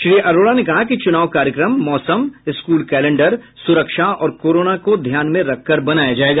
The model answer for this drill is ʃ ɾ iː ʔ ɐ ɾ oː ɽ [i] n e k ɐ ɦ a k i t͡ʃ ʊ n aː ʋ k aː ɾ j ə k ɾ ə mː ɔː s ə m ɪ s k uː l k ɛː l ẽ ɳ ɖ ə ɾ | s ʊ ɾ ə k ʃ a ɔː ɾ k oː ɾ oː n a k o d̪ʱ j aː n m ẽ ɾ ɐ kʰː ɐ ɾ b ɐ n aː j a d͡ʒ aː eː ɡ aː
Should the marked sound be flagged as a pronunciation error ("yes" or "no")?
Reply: yes